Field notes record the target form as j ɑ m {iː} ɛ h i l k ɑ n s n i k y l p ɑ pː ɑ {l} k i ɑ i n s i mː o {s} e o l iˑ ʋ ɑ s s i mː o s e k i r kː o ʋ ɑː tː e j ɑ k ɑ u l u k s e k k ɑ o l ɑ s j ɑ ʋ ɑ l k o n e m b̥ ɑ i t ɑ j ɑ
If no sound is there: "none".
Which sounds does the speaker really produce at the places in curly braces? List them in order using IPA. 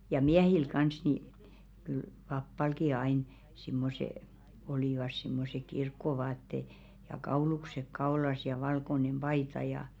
i, l, s

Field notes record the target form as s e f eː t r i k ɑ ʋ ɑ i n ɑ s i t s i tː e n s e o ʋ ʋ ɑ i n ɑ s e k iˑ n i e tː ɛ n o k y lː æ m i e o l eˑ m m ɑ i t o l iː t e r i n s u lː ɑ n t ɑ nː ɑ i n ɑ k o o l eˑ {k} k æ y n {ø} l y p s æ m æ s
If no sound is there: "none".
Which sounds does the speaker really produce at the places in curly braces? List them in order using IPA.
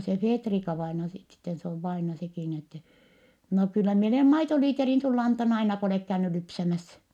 k, y

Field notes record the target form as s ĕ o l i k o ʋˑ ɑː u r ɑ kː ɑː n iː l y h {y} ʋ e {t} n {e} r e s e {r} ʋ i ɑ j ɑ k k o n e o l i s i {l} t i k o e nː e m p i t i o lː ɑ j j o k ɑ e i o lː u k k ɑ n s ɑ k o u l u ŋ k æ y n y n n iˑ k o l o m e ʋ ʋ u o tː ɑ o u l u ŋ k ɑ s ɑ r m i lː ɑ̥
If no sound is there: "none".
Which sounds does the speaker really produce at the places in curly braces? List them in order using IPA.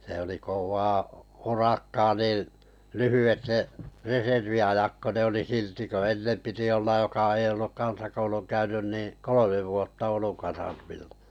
y, t, e, r, l

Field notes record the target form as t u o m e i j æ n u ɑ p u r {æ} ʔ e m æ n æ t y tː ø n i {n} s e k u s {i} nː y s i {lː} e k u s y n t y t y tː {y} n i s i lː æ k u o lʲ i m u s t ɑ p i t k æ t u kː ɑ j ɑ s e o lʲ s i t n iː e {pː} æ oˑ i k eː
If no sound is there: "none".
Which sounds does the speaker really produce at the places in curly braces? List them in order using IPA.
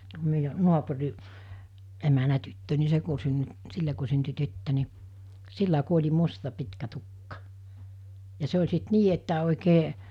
i, none, y, lː, ø, tː

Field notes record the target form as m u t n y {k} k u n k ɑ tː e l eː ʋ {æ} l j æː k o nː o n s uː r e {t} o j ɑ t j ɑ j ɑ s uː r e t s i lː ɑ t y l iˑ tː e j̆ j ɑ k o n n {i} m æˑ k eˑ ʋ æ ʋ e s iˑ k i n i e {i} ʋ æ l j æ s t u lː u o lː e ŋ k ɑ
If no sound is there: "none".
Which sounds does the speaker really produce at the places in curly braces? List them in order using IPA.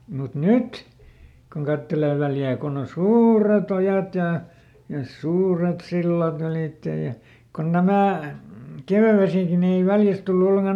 t, æ, t, æ, i

